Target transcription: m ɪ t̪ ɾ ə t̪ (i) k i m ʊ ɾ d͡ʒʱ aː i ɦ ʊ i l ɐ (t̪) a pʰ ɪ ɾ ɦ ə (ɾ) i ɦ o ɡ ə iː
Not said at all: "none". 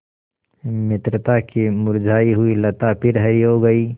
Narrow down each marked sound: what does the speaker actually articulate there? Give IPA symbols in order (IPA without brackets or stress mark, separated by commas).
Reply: a, t̪, ɾ